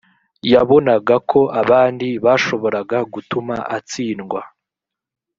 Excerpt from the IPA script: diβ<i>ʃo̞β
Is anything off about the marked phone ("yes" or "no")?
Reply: yes